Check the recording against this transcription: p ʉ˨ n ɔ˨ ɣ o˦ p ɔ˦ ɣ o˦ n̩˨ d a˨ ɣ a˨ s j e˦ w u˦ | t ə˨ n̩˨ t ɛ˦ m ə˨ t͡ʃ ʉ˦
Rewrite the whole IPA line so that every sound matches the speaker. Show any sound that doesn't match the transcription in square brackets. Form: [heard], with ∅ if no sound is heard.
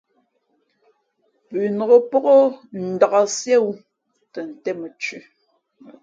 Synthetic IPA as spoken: p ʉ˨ n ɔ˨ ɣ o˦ p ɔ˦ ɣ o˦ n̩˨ d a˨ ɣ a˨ s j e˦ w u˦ | t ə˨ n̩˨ t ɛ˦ m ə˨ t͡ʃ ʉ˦

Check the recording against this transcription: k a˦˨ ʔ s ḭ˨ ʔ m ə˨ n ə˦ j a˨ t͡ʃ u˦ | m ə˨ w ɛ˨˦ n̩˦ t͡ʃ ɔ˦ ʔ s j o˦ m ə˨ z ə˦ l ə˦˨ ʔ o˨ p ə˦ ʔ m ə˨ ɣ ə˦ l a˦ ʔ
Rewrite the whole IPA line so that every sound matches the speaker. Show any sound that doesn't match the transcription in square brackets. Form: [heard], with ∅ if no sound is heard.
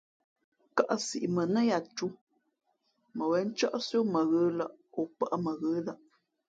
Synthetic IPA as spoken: k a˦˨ ʔ s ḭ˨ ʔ m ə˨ n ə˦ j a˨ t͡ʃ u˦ | m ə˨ w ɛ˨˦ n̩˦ t͡ʃ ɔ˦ ʔ s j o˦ m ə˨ [ɣ] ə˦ l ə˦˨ ʔ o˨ p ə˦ ʔ m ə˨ ɣ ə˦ l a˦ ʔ

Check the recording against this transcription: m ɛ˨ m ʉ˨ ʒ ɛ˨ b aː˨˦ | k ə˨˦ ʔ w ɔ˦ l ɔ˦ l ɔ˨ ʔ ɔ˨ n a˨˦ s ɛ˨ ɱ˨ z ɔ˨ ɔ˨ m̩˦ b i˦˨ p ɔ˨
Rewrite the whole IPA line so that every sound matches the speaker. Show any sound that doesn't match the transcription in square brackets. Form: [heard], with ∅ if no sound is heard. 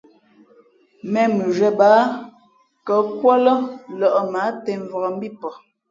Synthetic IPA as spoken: m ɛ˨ m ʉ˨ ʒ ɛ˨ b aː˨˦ | k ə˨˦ [k] w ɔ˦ l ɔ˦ l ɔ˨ ʔ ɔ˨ [m] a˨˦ [t] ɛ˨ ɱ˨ [v] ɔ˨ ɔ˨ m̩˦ b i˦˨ p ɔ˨

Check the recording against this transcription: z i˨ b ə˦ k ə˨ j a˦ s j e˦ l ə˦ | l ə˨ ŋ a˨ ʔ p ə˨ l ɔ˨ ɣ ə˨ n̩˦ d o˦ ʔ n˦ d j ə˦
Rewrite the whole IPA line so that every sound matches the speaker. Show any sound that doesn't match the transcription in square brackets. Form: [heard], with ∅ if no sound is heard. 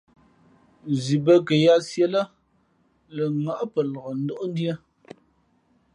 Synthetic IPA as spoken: z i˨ b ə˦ k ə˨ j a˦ s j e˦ l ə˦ | l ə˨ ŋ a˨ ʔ p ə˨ l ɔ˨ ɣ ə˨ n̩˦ d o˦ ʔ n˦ d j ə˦

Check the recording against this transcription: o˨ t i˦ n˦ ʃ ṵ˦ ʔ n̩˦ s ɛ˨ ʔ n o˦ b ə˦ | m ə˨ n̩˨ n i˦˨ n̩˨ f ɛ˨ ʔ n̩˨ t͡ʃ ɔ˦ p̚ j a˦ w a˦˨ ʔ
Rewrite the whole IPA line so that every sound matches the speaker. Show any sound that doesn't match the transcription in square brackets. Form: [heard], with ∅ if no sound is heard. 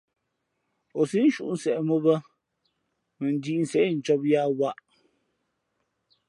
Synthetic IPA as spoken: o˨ [s] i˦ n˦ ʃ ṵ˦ ʔ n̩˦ s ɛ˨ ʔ [m] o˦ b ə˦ | m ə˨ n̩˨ [d] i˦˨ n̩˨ [s] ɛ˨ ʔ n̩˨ t͡ʃ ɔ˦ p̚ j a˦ w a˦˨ ʔ

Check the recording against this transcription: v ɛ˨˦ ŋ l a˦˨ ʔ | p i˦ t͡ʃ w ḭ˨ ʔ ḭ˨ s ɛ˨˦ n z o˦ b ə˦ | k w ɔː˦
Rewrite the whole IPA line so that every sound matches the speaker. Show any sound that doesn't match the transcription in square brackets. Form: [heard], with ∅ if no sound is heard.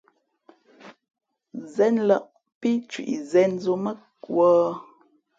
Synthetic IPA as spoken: [z] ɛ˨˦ [n] l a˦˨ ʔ | p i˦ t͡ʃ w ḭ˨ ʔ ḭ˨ [z] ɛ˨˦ n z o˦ [m] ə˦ | k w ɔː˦

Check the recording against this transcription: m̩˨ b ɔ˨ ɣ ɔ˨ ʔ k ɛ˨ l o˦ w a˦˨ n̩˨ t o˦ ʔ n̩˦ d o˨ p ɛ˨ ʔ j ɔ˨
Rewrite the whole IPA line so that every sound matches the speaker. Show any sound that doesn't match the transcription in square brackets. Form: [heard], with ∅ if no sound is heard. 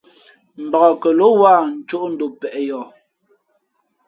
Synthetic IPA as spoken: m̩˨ b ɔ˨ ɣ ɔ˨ [∅] k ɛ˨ l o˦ w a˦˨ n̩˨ [t͡ʃ] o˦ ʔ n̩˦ d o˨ p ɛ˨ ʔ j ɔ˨

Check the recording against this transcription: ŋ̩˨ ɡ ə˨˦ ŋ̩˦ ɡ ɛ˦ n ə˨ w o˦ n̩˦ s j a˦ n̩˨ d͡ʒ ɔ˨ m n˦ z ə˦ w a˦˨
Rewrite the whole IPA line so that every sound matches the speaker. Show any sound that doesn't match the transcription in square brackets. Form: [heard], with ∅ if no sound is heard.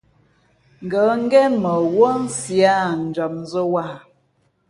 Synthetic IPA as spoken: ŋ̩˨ ɡ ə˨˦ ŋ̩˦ ɡ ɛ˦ [m] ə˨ w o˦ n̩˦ s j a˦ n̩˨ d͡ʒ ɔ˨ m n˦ z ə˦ w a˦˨

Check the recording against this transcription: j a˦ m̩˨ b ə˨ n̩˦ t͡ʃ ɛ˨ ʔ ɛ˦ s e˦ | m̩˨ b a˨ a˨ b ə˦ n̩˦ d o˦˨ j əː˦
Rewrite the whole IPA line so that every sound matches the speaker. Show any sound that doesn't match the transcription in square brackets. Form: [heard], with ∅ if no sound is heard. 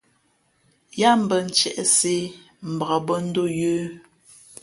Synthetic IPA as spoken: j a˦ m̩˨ b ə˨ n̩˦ t͡ʃ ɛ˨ ʔ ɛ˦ s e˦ | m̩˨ b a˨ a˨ b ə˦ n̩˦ d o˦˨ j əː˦

